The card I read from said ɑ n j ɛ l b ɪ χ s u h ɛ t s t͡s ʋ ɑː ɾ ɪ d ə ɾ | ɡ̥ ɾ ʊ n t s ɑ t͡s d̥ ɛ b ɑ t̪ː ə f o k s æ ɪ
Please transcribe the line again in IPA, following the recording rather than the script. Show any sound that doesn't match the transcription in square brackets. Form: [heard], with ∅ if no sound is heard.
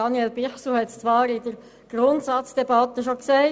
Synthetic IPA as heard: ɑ n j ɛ l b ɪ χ s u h ɛ t s t͡s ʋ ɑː ɾ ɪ d ə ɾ | ɡ̥ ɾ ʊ n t s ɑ t͡s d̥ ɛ b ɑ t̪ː ə [ʃ] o k s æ ɪ